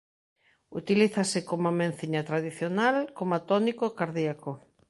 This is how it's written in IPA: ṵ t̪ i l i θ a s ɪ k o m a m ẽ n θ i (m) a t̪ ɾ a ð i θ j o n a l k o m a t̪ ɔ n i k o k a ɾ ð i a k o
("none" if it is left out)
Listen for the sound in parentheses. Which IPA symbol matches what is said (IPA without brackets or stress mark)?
ɲ